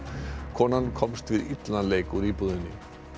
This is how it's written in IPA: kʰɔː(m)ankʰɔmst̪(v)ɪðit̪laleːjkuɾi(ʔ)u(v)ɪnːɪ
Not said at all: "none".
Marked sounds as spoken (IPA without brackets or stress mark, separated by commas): n, v, p, ð